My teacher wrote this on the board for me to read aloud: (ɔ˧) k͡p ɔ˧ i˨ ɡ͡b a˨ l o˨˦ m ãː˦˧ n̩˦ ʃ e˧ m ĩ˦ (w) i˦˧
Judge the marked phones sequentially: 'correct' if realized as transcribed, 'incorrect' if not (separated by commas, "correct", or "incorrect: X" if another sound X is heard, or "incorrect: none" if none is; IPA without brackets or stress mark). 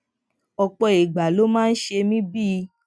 correct, incorrect: b